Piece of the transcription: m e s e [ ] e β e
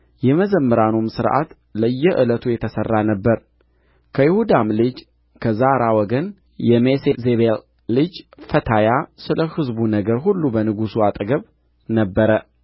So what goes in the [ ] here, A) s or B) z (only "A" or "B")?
B